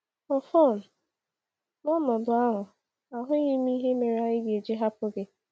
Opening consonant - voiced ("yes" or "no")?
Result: no